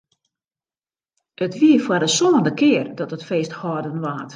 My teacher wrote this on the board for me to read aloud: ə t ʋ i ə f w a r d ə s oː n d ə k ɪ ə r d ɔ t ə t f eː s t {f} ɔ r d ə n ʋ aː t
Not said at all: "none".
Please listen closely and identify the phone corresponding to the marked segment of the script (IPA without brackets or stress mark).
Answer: h